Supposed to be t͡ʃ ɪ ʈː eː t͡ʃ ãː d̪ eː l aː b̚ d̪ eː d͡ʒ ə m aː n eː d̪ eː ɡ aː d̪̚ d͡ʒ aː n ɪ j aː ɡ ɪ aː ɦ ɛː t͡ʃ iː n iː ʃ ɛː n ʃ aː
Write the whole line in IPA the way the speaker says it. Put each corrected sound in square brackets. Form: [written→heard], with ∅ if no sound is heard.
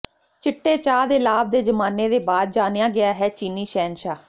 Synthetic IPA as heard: t͡ʃ ɪ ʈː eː t͡ʃ [ãː→aː] d̪ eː l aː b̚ d̪ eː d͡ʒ ə m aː n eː d̪ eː [ɡ→b] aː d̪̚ d͡ʒ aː n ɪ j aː ɡ ɪ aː ɦ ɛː t͡ʃ iː n iː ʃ ɛː n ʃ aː